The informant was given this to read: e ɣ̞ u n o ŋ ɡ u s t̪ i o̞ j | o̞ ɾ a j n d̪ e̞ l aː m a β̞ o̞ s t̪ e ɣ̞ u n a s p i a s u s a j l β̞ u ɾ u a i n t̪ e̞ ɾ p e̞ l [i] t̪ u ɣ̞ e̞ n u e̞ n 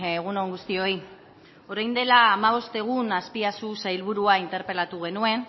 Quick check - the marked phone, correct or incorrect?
incorrect: a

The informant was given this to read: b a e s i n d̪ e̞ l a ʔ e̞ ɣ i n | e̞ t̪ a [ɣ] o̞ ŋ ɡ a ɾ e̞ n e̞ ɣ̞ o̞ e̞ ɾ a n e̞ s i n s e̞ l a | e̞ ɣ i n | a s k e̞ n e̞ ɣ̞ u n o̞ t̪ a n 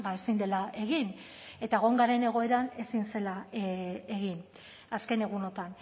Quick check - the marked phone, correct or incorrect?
correct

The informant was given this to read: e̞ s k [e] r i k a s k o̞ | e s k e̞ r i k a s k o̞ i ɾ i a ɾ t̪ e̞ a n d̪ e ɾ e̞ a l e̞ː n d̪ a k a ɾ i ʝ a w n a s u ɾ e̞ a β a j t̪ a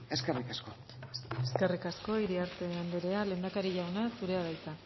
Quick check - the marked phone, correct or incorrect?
correct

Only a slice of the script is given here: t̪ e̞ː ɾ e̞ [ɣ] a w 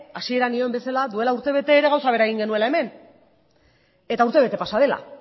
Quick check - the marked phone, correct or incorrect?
correct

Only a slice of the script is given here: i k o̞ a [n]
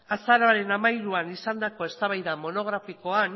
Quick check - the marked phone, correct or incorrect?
correct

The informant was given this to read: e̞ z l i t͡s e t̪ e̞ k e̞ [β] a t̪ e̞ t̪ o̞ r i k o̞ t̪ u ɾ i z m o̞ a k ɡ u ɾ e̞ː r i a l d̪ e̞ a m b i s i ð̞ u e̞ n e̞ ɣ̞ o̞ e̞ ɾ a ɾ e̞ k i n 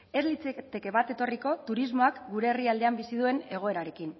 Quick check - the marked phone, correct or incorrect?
correct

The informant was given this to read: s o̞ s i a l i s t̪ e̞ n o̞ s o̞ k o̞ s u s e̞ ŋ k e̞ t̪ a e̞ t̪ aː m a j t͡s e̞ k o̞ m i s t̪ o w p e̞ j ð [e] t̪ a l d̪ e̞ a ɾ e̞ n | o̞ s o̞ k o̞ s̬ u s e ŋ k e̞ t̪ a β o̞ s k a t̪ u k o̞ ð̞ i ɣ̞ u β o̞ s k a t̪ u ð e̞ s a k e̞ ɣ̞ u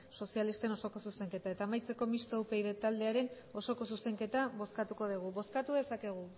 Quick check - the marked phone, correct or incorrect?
correct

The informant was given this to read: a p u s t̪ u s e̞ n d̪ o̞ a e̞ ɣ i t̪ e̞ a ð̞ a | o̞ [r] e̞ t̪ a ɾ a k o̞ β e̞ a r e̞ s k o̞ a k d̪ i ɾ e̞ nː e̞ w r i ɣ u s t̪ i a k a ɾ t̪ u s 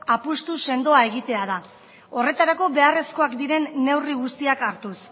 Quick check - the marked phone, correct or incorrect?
correct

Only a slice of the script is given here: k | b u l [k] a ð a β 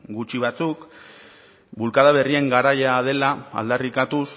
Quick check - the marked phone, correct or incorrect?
correct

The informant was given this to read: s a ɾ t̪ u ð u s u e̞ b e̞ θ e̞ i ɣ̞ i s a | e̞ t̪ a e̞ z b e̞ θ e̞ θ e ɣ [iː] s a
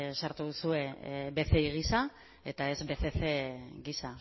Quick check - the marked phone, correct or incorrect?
incorrect: i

